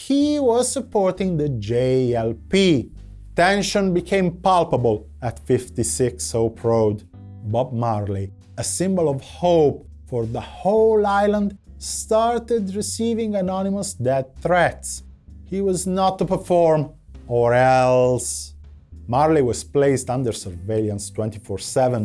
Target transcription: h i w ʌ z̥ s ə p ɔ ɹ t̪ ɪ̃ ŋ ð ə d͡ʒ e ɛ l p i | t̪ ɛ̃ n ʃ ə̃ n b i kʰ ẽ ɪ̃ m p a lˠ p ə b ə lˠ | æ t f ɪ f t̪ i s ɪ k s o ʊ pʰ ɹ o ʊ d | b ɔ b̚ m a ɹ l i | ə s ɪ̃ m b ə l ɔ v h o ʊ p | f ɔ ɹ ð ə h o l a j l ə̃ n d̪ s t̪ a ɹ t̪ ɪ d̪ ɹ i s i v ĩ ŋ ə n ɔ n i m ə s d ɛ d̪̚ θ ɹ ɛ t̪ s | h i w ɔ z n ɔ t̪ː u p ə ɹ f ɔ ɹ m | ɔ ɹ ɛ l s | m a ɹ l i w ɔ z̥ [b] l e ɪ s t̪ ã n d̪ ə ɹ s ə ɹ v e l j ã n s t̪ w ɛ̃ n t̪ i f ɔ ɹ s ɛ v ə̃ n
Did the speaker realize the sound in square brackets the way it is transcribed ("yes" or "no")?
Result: no